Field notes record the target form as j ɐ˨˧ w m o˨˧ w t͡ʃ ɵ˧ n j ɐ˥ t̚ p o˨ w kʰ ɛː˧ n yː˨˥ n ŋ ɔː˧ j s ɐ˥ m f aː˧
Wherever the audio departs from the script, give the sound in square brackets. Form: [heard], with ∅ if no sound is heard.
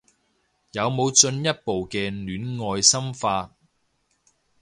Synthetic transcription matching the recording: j ɐ˨˧ w m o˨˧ w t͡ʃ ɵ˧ n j ɐ˥ t̚ p o˨ w [k] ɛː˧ n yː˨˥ n ŋ ɔː˧ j s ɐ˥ m f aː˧